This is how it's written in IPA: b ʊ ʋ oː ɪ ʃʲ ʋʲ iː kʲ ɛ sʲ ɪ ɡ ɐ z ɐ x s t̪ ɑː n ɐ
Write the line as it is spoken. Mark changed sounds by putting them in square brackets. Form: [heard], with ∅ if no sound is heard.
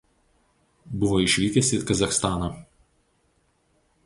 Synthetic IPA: b ʊ ʋ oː ɪ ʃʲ ʋʲ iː kʲ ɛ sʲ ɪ [k] ɐ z ɐ x s t̪ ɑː n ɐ